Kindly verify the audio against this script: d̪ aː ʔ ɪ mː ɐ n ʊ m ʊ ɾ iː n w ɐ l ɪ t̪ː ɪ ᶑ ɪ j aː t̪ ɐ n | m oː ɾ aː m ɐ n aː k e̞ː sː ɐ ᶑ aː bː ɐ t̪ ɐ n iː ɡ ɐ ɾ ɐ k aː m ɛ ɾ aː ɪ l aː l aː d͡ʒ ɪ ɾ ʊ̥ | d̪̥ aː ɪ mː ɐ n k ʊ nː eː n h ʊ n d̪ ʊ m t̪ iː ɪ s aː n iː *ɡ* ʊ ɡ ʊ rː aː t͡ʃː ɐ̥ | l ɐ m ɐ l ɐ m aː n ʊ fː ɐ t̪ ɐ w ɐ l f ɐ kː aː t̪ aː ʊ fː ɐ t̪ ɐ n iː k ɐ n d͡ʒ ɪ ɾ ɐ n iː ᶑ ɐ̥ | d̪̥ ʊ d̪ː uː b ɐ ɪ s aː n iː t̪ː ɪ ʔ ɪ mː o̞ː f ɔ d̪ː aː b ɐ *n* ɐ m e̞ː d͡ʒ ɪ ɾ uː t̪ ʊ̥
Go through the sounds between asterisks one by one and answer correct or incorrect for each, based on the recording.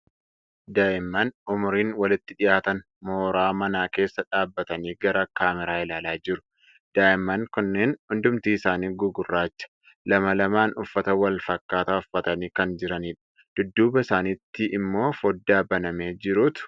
correct, correct

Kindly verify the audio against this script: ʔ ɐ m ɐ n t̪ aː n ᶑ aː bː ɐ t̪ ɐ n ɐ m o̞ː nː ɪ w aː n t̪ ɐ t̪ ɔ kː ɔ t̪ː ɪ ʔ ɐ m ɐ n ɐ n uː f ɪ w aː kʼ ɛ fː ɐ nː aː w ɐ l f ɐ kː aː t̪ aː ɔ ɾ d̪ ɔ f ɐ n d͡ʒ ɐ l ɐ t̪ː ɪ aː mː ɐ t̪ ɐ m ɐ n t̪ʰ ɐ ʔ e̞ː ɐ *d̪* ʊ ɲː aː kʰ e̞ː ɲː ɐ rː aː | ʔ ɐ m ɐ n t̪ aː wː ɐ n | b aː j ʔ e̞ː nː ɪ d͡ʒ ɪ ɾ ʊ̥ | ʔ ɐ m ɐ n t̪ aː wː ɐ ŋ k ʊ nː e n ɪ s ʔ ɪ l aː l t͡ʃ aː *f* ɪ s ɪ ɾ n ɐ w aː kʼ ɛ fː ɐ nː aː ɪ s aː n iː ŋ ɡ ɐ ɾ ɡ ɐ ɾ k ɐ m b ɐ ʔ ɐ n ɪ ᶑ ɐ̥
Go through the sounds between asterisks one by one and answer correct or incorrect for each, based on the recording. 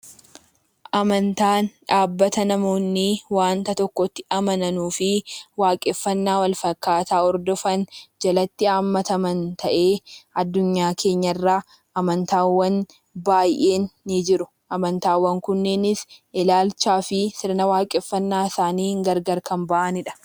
incorrect, correct

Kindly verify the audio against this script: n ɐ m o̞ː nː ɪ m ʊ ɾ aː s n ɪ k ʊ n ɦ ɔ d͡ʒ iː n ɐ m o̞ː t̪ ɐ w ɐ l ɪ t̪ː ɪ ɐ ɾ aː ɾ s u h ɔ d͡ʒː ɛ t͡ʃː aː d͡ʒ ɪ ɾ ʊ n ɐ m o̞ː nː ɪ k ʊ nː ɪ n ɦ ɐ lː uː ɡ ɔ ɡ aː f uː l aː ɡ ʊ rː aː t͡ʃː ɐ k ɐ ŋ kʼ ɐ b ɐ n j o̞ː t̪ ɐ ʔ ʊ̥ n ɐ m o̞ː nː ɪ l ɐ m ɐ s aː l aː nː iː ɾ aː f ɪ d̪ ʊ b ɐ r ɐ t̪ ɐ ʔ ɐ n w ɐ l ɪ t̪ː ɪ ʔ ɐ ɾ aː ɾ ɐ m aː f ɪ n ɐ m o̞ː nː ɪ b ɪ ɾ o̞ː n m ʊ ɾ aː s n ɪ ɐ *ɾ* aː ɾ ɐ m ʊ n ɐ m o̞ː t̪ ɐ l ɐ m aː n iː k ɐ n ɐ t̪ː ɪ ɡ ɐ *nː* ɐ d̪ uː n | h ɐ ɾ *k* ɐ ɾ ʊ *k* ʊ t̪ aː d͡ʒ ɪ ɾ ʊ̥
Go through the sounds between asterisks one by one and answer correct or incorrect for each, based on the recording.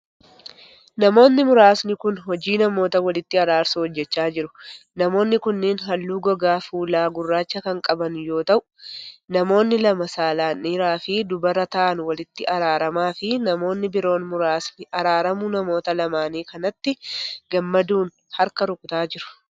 correct, incorrect, correct, incorrect

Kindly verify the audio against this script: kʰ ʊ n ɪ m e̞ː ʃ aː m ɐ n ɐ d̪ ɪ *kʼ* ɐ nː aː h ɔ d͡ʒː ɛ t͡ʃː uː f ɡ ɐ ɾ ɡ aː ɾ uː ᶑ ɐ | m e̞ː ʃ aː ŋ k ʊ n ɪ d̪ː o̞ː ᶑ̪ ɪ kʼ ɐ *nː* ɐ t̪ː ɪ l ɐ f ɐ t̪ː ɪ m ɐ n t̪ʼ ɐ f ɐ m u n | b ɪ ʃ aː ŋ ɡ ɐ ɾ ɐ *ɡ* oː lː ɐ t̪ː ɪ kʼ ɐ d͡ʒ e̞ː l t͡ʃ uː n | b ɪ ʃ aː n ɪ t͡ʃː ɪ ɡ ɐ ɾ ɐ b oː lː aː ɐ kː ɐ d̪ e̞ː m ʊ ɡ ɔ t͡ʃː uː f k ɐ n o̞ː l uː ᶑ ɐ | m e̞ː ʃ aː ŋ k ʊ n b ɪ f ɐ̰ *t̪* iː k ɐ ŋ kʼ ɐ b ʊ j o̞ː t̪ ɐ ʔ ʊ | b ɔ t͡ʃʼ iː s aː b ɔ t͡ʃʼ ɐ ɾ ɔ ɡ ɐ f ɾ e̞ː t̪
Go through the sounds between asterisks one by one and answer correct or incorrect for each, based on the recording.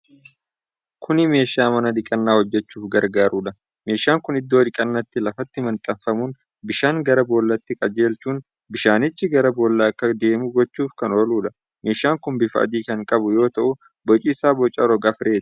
correct, correct, incorrect, incorrect

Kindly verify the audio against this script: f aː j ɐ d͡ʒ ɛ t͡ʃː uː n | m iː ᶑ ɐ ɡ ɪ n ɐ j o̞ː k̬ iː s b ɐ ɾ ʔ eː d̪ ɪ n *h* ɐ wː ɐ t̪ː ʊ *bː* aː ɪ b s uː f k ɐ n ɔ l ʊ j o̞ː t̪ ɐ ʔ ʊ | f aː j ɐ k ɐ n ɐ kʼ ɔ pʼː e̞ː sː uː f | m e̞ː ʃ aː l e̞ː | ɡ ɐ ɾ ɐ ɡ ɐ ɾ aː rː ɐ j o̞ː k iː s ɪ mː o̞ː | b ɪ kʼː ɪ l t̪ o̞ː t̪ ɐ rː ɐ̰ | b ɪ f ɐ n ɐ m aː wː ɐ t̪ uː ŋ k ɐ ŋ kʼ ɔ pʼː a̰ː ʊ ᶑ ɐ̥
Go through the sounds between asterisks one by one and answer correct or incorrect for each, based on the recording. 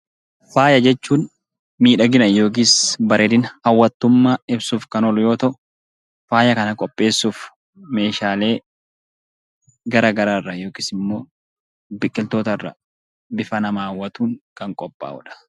correct, incorrect

